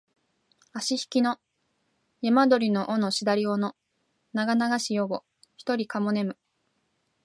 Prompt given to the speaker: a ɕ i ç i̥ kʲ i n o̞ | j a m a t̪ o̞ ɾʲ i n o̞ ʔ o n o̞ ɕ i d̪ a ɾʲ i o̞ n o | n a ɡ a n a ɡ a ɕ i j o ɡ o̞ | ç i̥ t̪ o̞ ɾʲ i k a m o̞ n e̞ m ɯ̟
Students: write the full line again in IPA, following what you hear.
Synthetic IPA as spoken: a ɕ i ç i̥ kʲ i n o̞ | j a m a d̪ o̞ ɾʲ i n o̞ ʔ o n o̞ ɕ i d̪ a ɾʲ i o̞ n o | n a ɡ a n a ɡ a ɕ i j o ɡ o̞ | ç i̥ t̪ o̞ ɾʲ i k a m o̞ n e̞ m ɯ̟